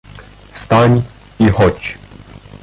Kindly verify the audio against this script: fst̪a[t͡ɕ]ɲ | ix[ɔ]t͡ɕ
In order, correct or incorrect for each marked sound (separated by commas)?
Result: incorrect, correct